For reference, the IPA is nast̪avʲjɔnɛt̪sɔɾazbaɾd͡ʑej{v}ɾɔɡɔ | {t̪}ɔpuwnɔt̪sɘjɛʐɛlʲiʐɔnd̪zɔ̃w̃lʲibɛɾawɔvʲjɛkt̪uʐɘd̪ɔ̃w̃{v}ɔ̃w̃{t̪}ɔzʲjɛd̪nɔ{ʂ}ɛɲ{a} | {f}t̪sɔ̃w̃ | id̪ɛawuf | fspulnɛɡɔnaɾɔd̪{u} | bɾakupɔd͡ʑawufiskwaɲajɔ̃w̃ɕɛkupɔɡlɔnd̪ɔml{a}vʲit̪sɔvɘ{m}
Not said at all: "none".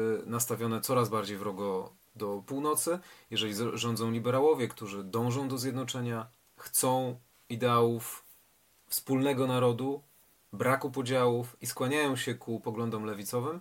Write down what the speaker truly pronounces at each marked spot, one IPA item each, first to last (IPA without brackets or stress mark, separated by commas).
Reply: v, d̪, ʐ, d̪, t͡ʂ, a, x, u, ɛ, m